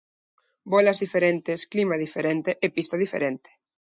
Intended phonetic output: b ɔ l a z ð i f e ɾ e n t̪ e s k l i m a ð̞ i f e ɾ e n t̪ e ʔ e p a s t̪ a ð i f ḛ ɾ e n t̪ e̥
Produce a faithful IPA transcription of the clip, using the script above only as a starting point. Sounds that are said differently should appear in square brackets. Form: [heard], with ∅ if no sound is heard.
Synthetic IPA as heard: b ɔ l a z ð i f e ɾ e n t̪ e s k l i m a ð̞ i f e ɾ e n t̪ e ʔ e p [i] s t̪ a ð i f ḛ ɾ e n t̪ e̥